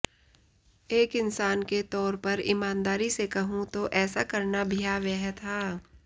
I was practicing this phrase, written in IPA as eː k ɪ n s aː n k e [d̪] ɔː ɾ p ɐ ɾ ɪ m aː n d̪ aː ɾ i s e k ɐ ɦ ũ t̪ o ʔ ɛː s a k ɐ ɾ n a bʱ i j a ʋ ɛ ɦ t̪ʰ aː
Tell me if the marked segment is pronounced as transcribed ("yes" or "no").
no